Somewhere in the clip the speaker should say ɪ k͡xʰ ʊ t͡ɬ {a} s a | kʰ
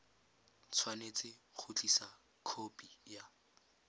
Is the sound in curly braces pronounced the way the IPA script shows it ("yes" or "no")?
no